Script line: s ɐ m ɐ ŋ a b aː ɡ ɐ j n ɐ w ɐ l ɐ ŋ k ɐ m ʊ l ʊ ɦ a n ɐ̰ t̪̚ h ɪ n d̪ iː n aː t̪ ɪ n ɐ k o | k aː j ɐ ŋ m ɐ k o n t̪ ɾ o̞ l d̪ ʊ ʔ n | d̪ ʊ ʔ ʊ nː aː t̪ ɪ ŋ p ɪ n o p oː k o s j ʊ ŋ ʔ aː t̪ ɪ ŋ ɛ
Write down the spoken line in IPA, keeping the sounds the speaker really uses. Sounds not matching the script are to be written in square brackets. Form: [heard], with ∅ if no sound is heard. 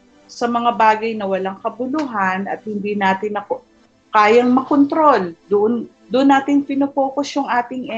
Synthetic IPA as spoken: s ɐ m ɐ ŋ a b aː ɡ ɐ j n ɐ w ɐ l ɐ ŋ k ɐ [b] ʊ l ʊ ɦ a n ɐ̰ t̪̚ h ɪ n d̪ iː n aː t̪ ɪ n ɐ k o | k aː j ɐ ŋ m ɐ k o n t̪ ɾ o̞ l d̪ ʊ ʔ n | d̪ ʊ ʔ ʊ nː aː t̪ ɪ ŋ p ɪ n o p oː k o s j ʊ ŋ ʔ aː t̪ ɪ ŋ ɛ